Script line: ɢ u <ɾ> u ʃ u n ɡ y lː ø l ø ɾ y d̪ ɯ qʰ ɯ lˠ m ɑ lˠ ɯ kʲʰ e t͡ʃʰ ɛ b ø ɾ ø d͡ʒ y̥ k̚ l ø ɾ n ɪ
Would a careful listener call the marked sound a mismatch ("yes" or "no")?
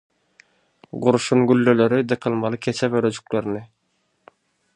no